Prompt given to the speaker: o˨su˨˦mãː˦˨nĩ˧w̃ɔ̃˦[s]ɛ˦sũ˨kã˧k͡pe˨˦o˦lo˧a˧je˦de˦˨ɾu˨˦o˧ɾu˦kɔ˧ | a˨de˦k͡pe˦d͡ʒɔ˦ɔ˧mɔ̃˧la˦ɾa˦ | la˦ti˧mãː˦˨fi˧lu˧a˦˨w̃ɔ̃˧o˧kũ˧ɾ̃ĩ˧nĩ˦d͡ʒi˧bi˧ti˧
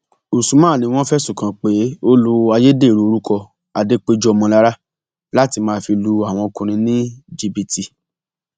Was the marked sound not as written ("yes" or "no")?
yes